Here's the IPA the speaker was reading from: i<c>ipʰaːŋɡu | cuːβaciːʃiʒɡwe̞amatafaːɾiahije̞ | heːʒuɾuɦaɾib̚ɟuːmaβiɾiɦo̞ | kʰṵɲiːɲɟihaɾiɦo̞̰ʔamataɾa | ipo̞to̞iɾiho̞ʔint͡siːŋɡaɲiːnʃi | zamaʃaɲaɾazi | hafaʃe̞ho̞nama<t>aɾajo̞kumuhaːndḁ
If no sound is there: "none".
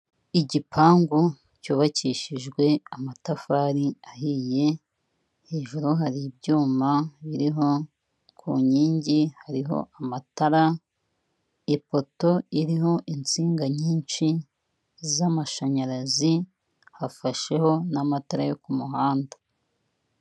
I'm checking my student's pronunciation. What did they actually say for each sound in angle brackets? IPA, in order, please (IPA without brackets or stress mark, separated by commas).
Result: ɟ, t